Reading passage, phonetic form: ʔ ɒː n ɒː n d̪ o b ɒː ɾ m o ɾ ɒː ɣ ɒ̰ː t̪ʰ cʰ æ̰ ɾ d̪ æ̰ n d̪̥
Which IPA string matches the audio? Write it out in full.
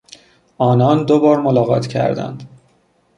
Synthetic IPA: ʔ ɒː n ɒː n d̪ o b ɒː ɾ m o l ɒː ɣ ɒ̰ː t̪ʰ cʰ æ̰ ɾ d̪ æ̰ n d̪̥